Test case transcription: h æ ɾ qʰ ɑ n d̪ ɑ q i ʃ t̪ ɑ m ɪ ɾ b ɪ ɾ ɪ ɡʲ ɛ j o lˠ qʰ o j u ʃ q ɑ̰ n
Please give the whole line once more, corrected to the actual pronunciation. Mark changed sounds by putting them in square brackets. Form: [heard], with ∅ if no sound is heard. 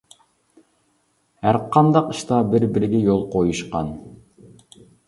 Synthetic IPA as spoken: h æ ɾ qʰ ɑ n d̪ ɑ q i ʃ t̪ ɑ [b] ɪ ɾ b ɪ ɾ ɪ ɡʲ ɛ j o lˠ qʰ o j u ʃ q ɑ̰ n